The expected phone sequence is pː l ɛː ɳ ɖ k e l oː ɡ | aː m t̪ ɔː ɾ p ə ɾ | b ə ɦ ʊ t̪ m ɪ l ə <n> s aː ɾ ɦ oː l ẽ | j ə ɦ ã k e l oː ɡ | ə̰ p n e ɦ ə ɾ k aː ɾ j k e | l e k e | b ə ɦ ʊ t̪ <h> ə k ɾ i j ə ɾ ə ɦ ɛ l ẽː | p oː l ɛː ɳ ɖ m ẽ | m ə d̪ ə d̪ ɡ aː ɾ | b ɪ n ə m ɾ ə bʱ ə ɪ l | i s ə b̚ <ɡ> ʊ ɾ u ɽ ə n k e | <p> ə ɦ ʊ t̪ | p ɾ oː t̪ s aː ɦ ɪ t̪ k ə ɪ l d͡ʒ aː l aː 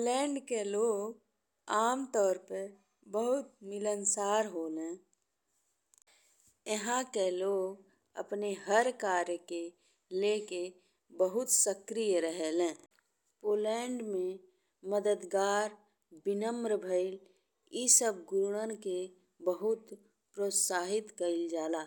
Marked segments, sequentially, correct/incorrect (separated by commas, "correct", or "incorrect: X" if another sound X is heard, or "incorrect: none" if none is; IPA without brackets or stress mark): correct, incorrect: s, correct, incorrect: b